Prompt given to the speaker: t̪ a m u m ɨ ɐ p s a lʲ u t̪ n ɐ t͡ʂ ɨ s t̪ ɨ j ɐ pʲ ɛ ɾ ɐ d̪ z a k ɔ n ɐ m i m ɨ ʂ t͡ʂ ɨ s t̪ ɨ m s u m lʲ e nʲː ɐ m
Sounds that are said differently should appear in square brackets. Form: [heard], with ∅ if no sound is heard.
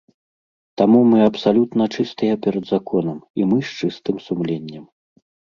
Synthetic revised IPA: t̪ a m u m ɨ ɐ p s a lʲ u t̪ n ɐ t͡ʂ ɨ s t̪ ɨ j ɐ pʲ ɛ ɾ ɐ d̪ z a k ɔ n ɐ m i m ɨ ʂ t͡ʂ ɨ s t̪ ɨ m s u m lʲ e nʲː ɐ m